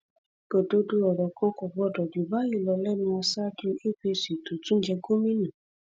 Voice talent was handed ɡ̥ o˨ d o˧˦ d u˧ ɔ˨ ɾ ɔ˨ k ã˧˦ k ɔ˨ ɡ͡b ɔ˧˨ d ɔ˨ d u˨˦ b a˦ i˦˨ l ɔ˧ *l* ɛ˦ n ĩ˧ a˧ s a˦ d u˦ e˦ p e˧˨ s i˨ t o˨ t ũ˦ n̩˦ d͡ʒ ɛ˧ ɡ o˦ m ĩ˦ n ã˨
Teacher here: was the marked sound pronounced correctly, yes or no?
yes